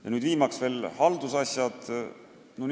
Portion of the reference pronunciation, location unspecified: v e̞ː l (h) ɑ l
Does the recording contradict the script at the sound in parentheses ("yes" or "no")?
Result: no